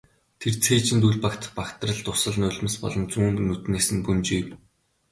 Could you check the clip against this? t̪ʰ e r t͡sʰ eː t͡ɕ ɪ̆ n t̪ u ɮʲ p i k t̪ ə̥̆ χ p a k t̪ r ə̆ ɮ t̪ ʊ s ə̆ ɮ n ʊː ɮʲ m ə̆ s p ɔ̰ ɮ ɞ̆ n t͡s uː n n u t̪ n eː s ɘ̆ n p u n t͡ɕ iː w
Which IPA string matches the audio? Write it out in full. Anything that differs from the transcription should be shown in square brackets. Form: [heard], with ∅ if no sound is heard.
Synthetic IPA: t̪ʰ e r t͡sʰ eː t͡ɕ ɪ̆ n t̪ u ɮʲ p [a] k t̪ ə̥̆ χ p a k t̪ r ə̆ ɮ t̪ ʊ s ə̆ ɮ n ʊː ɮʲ m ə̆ s p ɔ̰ ɮ ɞ̆ n t͡s uː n n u t̪ n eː s ɘ̆ n p u n t͡ɕ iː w